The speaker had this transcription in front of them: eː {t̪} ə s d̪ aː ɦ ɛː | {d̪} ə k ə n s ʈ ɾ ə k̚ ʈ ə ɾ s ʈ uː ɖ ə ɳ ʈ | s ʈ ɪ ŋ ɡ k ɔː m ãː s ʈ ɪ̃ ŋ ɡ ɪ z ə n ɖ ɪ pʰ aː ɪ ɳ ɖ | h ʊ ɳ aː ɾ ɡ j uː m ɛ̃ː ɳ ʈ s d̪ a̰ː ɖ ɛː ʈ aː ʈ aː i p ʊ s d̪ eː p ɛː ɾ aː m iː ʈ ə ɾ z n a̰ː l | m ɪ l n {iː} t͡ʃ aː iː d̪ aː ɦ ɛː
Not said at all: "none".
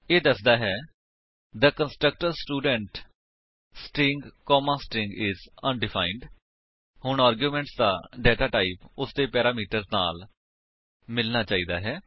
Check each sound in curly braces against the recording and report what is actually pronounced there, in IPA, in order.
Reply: d̪, d̪, aː

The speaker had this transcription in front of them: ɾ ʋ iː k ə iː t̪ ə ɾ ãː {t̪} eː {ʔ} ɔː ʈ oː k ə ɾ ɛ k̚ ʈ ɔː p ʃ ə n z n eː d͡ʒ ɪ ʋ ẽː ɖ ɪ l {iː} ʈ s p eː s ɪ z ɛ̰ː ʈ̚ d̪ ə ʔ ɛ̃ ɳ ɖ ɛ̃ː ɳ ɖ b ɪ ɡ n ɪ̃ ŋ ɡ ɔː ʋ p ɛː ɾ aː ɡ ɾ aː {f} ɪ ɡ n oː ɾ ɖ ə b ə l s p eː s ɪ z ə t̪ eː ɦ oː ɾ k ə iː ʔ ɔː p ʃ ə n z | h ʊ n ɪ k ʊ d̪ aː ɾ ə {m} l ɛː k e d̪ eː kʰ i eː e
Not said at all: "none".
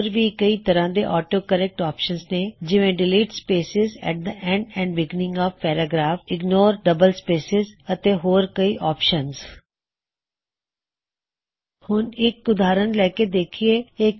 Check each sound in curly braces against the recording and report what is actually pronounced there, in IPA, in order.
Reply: d̪, ʔ, iː, f, n

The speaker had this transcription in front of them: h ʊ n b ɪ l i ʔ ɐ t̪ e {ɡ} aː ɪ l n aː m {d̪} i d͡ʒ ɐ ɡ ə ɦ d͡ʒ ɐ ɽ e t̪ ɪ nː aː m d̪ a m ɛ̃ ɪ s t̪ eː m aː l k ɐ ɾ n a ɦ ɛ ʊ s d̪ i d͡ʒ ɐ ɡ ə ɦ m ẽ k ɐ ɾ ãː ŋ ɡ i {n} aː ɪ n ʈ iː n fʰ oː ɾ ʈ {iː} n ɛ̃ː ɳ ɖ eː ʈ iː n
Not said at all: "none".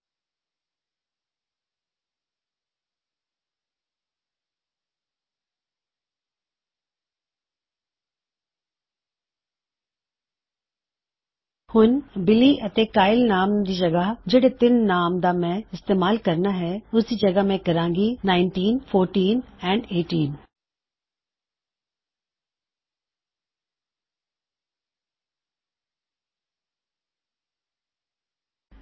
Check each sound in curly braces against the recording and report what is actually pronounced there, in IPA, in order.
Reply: k, d̪, n, iː

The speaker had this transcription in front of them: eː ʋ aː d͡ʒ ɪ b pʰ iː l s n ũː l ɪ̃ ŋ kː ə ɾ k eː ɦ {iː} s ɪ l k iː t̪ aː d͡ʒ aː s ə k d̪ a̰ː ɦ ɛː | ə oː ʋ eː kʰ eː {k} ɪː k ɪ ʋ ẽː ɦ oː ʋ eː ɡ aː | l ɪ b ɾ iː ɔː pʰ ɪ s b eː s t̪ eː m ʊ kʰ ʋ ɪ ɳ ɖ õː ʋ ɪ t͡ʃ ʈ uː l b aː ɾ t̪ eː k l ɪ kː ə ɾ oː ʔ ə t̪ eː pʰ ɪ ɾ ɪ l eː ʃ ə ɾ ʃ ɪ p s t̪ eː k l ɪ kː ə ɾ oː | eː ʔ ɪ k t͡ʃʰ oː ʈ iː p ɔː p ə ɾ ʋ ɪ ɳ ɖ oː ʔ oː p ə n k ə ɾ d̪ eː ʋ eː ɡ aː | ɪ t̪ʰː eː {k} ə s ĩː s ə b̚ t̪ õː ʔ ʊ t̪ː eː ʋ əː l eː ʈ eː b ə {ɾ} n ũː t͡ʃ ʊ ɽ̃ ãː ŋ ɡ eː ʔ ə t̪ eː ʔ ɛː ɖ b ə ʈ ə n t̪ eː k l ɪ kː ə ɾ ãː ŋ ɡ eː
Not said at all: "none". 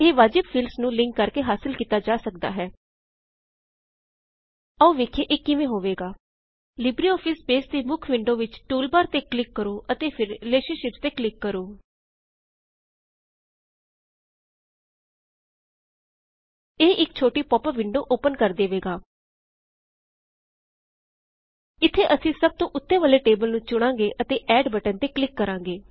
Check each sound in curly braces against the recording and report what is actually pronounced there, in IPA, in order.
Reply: aː, ʔ, ʔ, l

